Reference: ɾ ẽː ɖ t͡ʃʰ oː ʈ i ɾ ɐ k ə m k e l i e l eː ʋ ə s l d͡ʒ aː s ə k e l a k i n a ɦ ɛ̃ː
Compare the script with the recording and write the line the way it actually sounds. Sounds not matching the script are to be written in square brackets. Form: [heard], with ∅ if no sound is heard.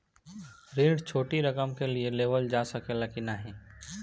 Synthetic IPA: ɾ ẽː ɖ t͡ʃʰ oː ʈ i ɾ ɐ k ə m k e l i e l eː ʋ ə [∅] l d͡ʒ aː s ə k e l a k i n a ɦ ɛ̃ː